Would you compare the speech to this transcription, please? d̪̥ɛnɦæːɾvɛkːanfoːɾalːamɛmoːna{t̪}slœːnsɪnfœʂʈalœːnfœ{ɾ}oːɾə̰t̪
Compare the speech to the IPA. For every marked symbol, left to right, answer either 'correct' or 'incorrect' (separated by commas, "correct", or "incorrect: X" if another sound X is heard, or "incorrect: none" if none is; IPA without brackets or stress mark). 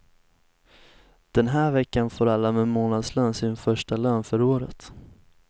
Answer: incorrect: d̪, correct